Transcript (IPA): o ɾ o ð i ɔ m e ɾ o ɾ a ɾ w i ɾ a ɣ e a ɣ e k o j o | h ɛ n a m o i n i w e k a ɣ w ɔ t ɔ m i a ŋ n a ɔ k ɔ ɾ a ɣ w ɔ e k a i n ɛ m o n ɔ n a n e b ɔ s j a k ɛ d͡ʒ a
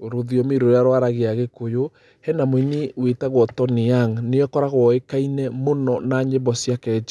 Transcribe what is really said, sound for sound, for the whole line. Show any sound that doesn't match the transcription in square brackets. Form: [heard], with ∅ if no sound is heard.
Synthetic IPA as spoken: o ɾ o ð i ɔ m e ɾ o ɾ a ɾ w [a] ɾ a ɣ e a ɣ e k o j o | h ɛ n a m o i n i w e [t] a ɣ w ɔ t ɔ [n] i a ŋ n [e] ɔ k ɔ ɾ a ɣ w ɔ e k a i n ɛ m o n ɔ n a [ɲ] e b ɔ s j a k ɛ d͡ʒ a